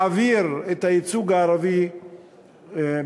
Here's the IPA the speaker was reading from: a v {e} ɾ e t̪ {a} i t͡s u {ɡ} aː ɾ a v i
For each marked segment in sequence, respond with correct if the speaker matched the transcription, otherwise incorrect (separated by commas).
incorrect, correct, correct